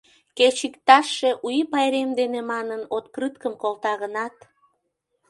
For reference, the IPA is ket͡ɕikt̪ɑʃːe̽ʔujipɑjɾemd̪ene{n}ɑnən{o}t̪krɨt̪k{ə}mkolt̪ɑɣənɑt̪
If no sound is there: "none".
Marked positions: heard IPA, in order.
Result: m, o, ə

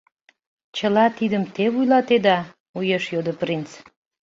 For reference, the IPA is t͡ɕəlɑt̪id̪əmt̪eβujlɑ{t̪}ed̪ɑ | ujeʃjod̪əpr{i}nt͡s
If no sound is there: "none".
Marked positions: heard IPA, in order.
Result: t̪, i

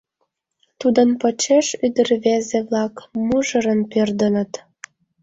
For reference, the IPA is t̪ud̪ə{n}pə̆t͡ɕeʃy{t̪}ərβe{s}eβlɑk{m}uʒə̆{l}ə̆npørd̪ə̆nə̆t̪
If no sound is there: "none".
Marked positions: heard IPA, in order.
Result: n, d̪, z, m, ɾ

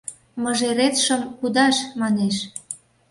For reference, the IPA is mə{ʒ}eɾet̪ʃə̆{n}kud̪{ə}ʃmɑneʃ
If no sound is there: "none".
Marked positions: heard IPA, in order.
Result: ʒ, m, ɑ

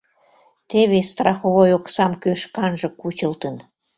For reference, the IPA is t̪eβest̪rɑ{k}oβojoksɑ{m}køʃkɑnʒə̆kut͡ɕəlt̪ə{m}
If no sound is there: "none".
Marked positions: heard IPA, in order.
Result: x, m, n

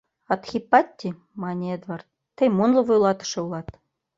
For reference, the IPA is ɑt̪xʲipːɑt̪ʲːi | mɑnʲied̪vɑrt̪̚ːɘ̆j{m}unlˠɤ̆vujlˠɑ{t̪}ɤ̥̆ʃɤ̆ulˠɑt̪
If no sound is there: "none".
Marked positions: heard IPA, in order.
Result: m, t̪

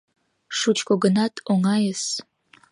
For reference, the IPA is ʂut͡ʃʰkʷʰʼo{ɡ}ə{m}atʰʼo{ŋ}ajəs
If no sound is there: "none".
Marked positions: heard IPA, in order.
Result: ɡ, n, ŋ

